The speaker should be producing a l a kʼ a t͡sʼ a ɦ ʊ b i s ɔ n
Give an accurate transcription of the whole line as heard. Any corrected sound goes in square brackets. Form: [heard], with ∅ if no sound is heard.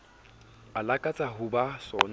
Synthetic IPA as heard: a l a kʼ a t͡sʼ a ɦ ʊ b [a] s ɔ n

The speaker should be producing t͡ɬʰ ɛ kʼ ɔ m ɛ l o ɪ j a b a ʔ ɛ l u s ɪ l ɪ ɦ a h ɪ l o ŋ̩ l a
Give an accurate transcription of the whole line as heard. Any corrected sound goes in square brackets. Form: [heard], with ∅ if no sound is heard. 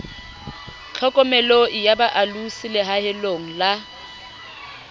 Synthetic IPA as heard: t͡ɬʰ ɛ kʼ ɔ m ɛ l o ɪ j a b a ʔ [a] l u s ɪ l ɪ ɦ a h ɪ l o ŋ̩ l a

